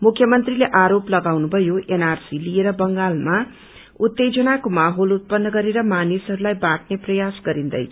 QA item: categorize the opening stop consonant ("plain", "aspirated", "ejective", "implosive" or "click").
aspirated